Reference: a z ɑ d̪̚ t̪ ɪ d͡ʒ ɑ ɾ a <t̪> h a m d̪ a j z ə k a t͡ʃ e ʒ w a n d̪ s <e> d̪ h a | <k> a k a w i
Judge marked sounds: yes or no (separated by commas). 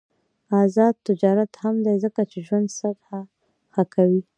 yes, no, no